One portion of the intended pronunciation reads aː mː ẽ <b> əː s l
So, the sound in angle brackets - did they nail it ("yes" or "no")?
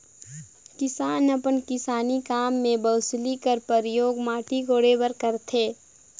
yes